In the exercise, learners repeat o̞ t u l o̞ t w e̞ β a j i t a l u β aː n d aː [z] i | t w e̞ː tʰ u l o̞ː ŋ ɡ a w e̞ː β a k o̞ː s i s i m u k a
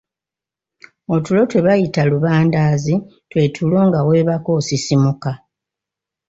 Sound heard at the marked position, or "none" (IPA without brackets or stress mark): z